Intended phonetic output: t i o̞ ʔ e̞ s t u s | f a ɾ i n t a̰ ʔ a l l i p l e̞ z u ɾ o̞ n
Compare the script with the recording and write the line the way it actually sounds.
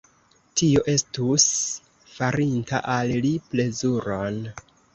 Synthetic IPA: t i o̞ ʔ e̞ s t u s | f a ɾ i n t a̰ ʔ a l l i p l e̞ z u ɾ o̞ n